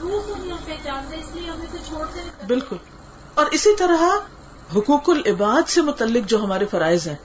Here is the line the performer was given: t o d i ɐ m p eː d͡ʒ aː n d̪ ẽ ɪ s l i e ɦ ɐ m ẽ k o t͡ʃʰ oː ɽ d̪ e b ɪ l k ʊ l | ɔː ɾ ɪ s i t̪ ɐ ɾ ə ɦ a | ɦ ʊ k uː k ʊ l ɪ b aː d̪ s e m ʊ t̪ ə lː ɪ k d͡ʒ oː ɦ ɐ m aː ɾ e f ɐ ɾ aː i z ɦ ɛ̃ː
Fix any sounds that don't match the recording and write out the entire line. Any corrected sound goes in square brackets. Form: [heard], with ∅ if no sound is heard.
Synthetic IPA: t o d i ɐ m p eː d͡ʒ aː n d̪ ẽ ɪ s l i e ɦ ɐ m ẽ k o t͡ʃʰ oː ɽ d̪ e b ɪ l k ʊ l | ɔː ɾ ɪ s i t̪ ɐ ɾ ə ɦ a | ɦ ʊ k uː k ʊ l ɪ b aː d̪ s e m ʊ t̪ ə lː ɪ k d͡ʒ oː ɦ ɐ m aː ɾ e f ɐ ɾ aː [ɪ] z ɦ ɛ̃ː